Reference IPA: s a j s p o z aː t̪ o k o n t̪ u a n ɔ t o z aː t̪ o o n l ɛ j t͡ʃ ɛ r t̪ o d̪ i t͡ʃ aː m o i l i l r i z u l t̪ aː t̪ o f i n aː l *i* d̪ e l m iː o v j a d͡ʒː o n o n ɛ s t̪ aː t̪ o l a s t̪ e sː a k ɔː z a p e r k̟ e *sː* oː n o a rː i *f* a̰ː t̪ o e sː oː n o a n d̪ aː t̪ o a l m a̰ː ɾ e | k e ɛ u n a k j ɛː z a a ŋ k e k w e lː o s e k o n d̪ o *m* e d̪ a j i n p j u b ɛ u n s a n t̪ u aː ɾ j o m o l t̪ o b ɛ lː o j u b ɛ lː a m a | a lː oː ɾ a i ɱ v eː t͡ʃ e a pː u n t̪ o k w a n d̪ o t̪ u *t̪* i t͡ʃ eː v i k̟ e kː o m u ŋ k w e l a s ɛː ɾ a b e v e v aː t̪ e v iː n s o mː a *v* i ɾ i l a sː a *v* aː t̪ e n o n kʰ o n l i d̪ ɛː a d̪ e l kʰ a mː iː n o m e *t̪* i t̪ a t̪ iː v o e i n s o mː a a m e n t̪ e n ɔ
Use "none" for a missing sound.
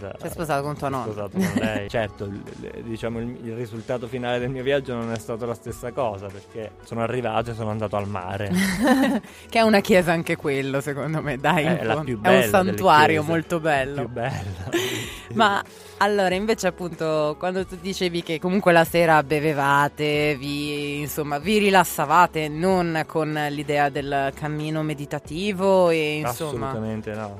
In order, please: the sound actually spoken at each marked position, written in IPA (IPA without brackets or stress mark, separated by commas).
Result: e, s, v, m, d̪, v, v, d̪